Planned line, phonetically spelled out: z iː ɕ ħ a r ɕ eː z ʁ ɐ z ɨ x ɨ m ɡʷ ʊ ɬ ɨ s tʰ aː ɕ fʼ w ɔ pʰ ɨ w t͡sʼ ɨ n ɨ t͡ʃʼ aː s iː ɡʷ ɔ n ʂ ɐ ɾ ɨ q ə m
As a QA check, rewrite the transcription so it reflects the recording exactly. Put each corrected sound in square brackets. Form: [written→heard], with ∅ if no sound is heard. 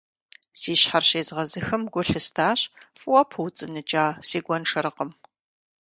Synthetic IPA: [z→s] iː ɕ ħ a r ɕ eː z ʁ ɐ z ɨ x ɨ m ɡʷ ʊ ɬ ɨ s tʰ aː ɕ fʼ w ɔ pʰ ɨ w t͡sʼ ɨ n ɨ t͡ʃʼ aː s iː ɡʷ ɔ n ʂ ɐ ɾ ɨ q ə m